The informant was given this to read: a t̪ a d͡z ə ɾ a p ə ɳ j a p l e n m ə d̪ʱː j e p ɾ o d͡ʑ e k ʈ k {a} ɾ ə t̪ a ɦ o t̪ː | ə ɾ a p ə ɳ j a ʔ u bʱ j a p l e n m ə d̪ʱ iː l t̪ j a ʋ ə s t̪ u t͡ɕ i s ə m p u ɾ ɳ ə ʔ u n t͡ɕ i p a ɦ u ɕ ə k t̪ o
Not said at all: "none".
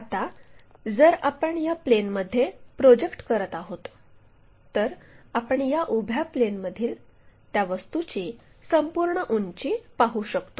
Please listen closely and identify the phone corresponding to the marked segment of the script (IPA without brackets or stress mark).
ə